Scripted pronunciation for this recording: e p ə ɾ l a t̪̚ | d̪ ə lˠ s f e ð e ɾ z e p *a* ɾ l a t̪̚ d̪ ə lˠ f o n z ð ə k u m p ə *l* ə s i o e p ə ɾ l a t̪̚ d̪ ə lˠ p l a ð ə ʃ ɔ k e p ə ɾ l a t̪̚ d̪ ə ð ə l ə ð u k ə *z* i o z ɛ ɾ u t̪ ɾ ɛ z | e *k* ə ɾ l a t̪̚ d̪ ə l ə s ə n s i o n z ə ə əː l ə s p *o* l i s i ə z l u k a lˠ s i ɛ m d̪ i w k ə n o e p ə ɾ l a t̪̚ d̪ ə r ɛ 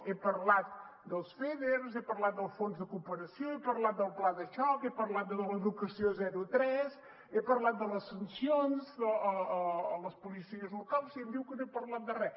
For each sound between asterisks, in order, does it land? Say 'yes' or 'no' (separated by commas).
no, no, no, no, no